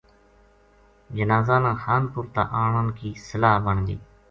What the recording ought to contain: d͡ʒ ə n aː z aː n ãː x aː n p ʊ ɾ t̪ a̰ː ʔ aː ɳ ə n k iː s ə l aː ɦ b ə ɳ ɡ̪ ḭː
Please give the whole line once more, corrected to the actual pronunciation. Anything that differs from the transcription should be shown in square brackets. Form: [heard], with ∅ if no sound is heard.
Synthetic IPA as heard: d͡ʒ ə n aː z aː n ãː x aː n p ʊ ɾ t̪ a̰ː ʔ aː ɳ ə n k iː s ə l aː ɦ b ə ɳ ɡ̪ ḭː